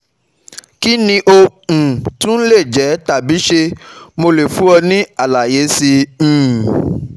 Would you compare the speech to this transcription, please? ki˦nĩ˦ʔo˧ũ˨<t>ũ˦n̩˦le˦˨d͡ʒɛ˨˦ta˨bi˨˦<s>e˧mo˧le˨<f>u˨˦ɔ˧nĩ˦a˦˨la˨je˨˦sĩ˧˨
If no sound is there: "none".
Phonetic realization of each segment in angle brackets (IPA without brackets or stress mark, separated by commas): t, ʃ, f